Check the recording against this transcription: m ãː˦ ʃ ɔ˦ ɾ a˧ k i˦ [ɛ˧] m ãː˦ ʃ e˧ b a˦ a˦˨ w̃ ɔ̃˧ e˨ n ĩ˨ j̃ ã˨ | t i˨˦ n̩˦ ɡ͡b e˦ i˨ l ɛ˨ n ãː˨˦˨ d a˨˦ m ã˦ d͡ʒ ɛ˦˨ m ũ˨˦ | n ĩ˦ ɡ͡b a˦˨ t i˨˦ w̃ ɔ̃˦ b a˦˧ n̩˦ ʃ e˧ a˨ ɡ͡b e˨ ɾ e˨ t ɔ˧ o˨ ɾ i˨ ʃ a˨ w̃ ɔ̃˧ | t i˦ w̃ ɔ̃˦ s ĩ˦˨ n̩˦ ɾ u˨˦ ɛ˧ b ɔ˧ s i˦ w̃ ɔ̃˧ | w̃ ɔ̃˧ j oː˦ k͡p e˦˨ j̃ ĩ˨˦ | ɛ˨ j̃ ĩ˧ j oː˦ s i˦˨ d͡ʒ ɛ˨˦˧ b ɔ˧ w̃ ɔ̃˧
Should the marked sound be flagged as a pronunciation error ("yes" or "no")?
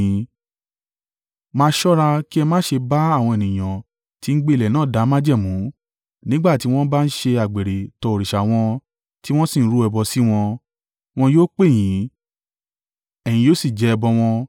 no